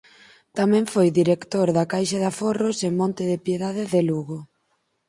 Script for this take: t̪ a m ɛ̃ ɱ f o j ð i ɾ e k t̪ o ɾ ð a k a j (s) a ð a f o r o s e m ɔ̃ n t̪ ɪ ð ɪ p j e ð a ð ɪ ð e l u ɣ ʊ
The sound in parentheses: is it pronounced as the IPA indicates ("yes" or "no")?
no